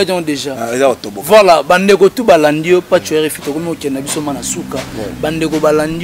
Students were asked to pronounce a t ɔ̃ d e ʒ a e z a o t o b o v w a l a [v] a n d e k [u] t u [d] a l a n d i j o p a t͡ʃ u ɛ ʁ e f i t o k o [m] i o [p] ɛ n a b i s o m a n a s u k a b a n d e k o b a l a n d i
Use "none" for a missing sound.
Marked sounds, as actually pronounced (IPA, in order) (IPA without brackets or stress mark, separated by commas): b, o, b, m, k